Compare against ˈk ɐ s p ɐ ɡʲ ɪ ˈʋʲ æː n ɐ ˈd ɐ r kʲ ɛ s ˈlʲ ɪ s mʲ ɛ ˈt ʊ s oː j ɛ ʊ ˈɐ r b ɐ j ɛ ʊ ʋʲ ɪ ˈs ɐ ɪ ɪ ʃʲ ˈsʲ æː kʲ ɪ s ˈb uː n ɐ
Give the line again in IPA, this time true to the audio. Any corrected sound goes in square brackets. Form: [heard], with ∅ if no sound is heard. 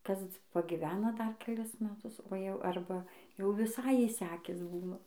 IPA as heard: ˈk ɐ s p ɐ ɡʲ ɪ ˈʋʲ æː n ɐ ˈd ɐ r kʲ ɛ [∅] ˈlʲ ɪ s mʲ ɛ ˈt ʊ s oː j ɛ ʊ ˈɐ r b ɐ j ɛ ʊ ʋʲ ɪ ˈs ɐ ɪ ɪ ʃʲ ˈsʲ æː kʲ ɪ s ˈb uː n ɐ

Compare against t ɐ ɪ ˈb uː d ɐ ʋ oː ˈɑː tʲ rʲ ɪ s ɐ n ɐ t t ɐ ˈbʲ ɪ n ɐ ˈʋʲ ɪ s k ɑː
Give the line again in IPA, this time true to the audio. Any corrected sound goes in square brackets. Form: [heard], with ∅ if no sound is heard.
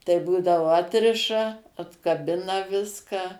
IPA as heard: t ɐ ɪ ˈb uː d ɐ ʋ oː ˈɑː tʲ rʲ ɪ [ʃ] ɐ [∅] ɐ t [k] ɐ ˈbʲ ɪ n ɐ ˈʋʲ ɪ s k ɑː

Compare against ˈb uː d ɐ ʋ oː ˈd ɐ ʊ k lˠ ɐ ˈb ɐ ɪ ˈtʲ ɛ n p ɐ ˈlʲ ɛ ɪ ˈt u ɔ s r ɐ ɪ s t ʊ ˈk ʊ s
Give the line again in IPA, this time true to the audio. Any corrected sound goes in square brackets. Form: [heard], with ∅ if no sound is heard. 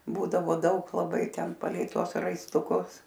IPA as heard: ˈb uː d ɐ ʋ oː ˈd ɐ ʊ k lˠ ɐ ˈb ɐ ɪ ˈtʲ ɛ n p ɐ ˈlʲ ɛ ɪ ˈt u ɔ s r ɐ ɪ s t ʊ ˈk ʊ s

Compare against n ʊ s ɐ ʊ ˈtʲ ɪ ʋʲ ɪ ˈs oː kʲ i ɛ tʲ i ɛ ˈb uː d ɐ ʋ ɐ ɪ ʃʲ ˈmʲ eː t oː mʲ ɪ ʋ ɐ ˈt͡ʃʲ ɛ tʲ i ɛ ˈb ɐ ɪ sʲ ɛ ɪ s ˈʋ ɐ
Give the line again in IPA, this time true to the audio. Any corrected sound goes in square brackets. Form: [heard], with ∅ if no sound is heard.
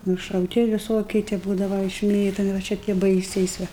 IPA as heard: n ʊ [ʃ] ɐ ʊ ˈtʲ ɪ ʋʲ ɪ ˈs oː kʲ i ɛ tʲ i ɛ ˈb uː d ɐ ʋ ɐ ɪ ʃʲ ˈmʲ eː t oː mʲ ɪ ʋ ɐ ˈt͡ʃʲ ɛ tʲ i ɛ ˈb ɐ ɪ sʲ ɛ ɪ s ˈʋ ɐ

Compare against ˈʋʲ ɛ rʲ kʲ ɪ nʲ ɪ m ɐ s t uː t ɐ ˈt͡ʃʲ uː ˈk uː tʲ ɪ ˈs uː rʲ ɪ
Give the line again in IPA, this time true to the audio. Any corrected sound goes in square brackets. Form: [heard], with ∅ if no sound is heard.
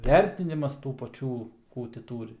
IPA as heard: ˈʋʲ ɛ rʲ [tʲ] ɪ nʲ ɪ m ɐ s t uː [p] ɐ ˈt͡ʃʲ uː ˈk uː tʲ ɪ [ˈt] uː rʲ ɪ

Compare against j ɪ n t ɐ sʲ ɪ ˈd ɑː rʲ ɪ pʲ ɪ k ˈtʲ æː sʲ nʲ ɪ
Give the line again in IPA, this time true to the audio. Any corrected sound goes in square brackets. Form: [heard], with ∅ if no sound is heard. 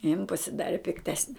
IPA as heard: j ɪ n [p] ɐ sʲ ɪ ˈd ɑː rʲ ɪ pʲ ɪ k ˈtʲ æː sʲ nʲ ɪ

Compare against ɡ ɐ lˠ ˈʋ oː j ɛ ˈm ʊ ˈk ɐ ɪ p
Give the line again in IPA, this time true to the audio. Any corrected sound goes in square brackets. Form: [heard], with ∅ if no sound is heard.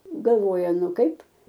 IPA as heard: ɡ ɐ lˠ ˈʋ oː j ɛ [ˈn] ʊ ˈk ɐ ɪ p

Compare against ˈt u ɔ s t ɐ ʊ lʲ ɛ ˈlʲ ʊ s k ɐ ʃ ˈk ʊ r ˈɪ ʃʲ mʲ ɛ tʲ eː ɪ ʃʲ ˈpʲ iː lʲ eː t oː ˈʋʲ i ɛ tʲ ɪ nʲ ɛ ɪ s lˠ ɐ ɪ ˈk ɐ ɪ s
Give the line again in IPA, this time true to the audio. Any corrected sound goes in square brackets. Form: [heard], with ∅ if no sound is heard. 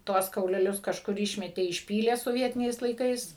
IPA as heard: ˈt u ɔ s [k] ɐ ʊ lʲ ɛ ˈlʲ ʊ s k ɐ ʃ ˈk ʊ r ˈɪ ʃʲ mʲ ɛ tʲ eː ɪ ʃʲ ˈpʲ iː lʲ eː [s] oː ˈʋʲ i ɛ tʲ ɪ nʲ ɛ ɪ s lˠ ɐ ɪ ˈk ɐ ɪ s

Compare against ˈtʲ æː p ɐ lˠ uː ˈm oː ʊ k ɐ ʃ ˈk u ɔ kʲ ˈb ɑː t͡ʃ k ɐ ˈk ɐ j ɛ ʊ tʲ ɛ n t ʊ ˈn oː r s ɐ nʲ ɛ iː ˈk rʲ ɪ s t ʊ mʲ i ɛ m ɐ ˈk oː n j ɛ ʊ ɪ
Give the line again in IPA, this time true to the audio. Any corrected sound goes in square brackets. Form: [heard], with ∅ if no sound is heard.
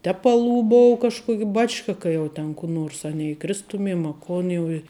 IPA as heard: ˈtʲ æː p ɐ lˠ uː [ˈb] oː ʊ k ɐ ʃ ˈk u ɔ kʲ ˈb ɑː t͡ʃ k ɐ ˈk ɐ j ɛ ʊ tʲ ɛ n [k] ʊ ˈn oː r s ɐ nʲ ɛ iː ˈk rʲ ɪ s t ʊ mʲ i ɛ m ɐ ˈk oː n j ɛ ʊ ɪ

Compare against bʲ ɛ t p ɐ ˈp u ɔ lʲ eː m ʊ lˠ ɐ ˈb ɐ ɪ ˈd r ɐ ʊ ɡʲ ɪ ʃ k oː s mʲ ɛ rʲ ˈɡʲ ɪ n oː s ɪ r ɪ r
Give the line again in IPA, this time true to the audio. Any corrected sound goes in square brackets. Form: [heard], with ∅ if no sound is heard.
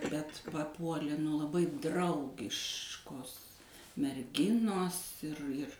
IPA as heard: bʲ ɛ t p ɐ ˈp u ɔ lʲ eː [n] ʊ lˠ ɐ ˈb ɐ ɪ ˈd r ɐ ʊ ɡʲ ɪ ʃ k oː s mʲ ɛ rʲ ˈɡʲ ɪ n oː s ɪ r ɪ r

